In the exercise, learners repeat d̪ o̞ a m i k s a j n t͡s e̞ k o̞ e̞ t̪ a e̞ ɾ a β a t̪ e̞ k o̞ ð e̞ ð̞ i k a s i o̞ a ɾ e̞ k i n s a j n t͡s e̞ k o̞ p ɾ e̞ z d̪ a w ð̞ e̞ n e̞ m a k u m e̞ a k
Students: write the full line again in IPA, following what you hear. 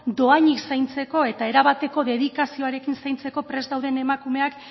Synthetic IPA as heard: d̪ o̞ a ɲ i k s a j n t͡s e̞ k o̞ e̞ t̪ a e̞ ɾ a β a t̪ e̞ k o̞ ð e̞ ð̞ i k a s i o̞ a ɾ e̞ k i n s a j n t͡s e̞ k o̞ p ɾ e̞ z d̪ a w ð̞ e̞ n e̞ m a k u m e̞ a k